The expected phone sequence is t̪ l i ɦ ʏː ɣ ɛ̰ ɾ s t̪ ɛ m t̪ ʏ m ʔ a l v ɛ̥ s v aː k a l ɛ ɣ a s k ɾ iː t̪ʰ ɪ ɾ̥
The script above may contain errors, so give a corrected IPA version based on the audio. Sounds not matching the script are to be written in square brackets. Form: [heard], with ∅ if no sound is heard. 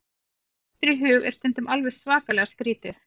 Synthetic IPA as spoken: t̪ [ɾ] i ɦ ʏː ɣ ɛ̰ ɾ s t̪ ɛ [n] t̪ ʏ m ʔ a l v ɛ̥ s v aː k a l ɛ ɣ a s k ɾ iː [t̪] ɪ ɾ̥